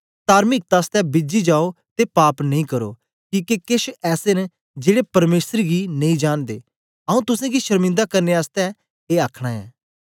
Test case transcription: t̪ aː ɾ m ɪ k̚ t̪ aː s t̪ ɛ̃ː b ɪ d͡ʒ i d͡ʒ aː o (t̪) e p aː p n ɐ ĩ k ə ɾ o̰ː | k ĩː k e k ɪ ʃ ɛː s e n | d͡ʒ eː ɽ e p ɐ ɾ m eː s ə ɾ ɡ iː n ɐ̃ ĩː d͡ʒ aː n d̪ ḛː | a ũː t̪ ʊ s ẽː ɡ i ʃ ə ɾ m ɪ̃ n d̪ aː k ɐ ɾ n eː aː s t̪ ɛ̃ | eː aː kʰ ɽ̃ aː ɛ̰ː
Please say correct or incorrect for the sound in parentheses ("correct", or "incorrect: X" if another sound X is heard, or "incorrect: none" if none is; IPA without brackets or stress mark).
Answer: correct